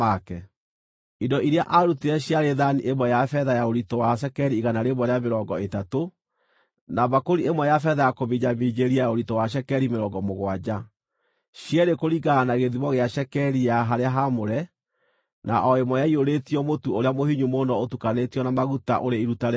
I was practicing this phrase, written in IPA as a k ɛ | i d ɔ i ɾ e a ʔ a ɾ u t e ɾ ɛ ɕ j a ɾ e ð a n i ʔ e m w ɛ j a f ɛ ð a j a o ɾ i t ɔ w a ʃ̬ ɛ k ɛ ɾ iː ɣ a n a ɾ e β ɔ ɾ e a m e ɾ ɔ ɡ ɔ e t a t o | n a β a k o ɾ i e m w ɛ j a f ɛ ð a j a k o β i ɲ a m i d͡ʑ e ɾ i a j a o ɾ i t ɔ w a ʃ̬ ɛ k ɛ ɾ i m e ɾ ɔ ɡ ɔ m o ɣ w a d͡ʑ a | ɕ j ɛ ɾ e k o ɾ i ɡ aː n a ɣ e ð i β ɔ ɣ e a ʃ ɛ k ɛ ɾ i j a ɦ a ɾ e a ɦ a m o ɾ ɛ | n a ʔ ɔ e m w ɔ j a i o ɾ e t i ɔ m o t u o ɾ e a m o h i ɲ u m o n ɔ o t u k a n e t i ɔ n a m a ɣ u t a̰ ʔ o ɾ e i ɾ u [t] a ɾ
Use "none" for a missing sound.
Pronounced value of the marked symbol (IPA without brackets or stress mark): t